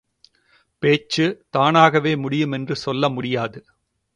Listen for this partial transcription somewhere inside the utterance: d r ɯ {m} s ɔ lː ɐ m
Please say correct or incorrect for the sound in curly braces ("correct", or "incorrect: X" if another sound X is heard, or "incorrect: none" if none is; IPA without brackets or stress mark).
incorrect: none